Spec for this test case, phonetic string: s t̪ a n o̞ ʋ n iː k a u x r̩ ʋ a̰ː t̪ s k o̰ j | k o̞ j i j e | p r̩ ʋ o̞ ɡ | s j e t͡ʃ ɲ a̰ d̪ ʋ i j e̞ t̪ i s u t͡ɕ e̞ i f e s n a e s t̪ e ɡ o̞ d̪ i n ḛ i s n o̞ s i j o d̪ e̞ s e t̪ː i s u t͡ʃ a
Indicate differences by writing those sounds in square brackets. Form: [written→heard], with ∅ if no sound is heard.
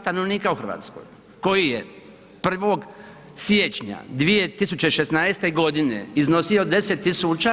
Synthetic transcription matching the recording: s t̪ a n o̞ ʋ n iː k a u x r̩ ʋ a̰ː t̪ s k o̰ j | k o̞ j i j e | p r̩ ʋ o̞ ɡ | s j e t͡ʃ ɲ a̰ d̪ ʋ i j e̞ t̪ i s u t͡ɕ e̞ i [f→ʃ] e s n a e s t̪ e ɡ o̞ d̪ i n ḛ i [s→z] n o̞ s i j o d̪ e̞ s e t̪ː i s u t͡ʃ a